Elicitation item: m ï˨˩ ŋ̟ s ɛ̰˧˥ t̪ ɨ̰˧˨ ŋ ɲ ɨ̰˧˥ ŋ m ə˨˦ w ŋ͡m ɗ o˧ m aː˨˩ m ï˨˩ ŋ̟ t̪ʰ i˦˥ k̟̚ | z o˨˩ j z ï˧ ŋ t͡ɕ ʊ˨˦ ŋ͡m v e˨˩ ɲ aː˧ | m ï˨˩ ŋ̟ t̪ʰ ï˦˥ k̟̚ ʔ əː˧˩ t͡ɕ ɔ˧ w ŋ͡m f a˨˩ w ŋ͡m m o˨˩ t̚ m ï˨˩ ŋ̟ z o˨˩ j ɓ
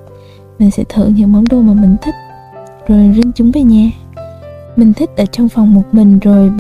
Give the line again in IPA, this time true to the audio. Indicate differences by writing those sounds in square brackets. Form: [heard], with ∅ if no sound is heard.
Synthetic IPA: m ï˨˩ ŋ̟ s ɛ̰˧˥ [t̪ʰ] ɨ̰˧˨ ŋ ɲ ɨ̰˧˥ ŋ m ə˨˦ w ŋ͡m ɗ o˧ m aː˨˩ m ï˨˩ ŋ̟ t̪ʰ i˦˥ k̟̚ | z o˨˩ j z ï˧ ŋ t͡ɕ ʊ˨˦ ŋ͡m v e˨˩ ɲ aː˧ | m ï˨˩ ŋ̟ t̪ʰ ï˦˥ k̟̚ ʔ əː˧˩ t͡ɕ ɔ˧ w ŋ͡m f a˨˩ w ŋ͡m m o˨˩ t̚ m ï˨˩ ŋ̟ z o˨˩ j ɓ